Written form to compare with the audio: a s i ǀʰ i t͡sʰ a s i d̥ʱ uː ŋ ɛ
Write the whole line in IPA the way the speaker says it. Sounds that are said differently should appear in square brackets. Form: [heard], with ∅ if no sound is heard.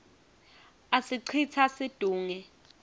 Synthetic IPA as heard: a s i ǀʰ i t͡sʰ a s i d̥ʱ uː ŋ ɛ